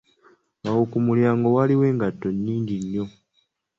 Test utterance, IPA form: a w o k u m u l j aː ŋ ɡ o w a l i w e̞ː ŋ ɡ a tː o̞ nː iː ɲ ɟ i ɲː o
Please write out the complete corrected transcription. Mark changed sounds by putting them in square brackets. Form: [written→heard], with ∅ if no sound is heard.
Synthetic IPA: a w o k u m u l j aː ŋ ɡ o w a l i w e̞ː ŋ ɡ a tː o̞ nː iː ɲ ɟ i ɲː o